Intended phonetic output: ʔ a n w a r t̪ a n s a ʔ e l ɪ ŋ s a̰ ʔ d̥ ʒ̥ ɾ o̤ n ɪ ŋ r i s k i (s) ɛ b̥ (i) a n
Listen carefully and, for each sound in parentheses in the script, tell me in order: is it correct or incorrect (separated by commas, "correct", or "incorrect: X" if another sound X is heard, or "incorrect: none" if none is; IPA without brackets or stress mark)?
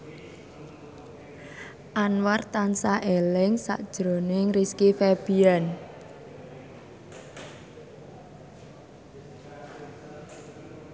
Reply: incorrect: f, correct